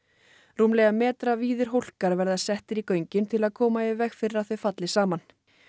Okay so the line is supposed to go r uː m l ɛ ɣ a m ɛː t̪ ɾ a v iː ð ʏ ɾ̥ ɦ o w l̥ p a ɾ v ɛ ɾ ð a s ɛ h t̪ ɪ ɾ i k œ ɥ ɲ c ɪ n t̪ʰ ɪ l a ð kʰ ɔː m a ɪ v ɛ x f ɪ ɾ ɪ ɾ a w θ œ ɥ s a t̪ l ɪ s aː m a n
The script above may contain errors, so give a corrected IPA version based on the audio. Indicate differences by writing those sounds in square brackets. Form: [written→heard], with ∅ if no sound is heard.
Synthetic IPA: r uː m l ɛ ɣ a m ɛː t̪ ɾ a v iː ð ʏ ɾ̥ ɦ o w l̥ [p→k] a ɾ v ɛ ɾ ð a s ɛ h t̪ ɪ ɾ i k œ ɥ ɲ c ɪ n t̪ʰ ɪ l a ð kʰ ɔː m a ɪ v ɛ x f ɪ ɾ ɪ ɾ a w θ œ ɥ [s→f] a t̪ l ɪ s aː m a n